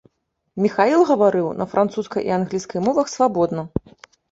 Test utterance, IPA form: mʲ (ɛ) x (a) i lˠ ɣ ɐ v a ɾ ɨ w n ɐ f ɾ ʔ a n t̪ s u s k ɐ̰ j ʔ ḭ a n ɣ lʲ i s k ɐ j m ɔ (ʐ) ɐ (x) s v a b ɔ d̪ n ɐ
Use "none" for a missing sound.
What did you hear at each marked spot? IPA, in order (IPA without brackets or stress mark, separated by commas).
i, a, v, x